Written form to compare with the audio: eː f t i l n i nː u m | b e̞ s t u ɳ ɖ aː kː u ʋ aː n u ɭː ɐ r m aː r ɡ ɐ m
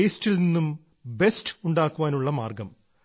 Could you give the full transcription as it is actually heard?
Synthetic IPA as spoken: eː s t i l n i nː u m | b e̞ s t u ɳ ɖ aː kː u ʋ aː n u ɭː ɐ m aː r ɡ ɐ m